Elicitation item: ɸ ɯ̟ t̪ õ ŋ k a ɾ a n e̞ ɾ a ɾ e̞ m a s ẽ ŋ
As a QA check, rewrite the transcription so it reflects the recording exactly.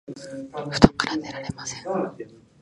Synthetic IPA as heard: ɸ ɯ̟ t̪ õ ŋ k a ɾ a n e̞ ɾ a ɾ e̞ m a s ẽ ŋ